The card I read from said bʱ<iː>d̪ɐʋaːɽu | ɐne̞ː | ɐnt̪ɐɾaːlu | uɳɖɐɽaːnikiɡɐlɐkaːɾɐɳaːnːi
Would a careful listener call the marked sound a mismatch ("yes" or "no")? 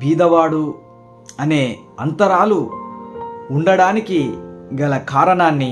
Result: no